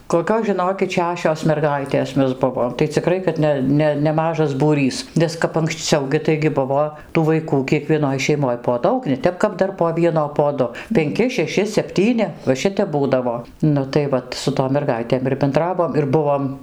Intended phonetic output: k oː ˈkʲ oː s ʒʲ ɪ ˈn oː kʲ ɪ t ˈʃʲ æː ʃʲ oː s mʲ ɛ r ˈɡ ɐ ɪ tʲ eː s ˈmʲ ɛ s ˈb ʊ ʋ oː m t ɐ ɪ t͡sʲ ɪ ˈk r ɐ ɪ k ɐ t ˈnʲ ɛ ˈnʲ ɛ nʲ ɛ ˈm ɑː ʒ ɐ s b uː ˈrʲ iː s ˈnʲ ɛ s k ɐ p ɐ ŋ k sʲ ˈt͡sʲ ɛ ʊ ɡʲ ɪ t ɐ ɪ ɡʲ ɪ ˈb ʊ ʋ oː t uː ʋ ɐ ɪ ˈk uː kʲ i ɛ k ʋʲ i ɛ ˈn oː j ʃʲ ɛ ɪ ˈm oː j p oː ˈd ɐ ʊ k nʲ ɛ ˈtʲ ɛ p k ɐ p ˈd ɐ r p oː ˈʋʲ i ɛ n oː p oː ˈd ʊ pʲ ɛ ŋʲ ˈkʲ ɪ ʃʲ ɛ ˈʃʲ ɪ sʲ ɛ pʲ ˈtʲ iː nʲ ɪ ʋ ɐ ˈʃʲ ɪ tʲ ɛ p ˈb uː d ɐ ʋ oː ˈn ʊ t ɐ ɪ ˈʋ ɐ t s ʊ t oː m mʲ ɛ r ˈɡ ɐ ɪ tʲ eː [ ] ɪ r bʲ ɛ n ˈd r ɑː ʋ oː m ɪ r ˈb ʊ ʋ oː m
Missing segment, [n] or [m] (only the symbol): m